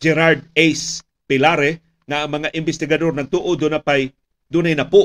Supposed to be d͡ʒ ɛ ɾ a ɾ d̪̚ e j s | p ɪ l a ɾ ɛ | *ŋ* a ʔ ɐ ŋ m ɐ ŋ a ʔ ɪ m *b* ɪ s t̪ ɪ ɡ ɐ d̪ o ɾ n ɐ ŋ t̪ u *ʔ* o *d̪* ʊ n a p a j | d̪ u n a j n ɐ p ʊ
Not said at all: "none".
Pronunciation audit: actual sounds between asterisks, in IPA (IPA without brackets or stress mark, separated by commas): ŋ, b, ʔ, d̪